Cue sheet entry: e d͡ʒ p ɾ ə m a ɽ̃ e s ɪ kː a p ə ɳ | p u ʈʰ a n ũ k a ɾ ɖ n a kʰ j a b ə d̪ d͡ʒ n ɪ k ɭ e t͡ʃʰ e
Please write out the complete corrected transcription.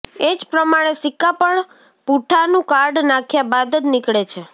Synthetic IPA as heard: e d͡ʒ p ɾ ə m a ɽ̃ e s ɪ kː a p ə ɳ | p u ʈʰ a n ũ k a ɾ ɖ n a kʰ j a b a d̪ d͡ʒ n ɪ k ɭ e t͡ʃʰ e